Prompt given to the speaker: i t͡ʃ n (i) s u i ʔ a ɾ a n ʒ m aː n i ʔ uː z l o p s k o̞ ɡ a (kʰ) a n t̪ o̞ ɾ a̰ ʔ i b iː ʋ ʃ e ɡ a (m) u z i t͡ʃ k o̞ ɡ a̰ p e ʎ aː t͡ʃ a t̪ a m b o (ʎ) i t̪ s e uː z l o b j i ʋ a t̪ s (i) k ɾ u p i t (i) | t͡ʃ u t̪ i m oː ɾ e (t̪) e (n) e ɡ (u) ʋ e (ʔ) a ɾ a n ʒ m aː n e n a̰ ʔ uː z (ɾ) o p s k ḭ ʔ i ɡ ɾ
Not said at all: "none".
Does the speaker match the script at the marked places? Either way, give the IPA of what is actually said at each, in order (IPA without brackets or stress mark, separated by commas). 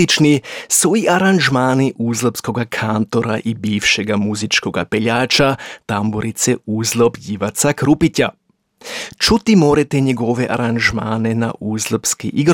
i, kʰ, m, ɾ, a, a, t̪, ɲ, o, ʔ, l